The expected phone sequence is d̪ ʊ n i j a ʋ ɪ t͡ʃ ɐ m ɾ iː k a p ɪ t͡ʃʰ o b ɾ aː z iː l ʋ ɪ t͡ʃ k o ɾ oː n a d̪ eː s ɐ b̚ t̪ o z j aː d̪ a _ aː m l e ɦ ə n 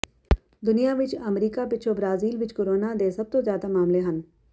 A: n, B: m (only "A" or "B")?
B